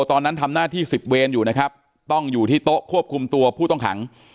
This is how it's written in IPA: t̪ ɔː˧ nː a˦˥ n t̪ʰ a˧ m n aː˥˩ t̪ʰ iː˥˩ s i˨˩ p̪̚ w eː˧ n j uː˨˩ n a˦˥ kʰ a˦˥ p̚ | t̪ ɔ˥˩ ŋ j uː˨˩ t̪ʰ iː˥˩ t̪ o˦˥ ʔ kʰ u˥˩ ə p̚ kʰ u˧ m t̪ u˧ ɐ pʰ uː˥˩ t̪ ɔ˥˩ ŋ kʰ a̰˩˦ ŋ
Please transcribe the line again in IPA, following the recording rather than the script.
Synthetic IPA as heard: t̪ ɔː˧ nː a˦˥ n t̪ʰ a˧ m n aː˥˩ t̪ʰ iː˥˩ s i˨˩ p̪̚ w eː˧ n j uː˨˩ n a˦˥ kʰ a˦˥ p̚ | t̪ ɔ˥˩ ŋ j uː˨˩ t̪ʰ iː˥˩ t̪ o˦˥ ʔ kʰ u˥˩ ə p̚ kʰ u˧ m t̪ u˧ ɐ pʰ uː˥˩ t̪ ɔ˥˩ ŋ kʰ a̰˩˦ ŋ